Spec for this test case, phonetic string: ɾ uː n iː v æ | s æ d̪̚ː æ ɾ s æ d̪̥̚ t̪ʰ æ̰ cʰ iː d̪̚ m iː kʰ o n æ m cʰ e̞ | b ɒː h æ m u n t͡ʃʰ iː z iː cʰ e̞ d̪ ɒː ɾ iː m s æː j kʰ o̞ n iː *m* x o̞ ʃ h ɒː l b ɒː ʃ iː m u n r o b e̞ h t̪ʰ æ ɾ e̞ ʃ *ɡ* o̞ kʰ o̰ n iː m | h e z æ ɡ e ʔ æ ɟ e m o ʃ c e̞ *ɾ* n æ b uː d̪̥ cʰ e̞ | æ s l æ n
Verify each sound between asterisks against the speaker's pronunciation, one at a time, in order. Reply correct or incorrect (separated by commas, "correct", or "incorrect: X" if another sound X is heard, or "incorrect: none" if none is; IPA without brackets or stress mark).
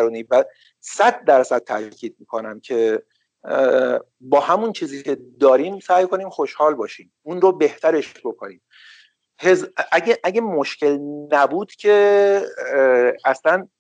correct, incorrect: b, incorrect: l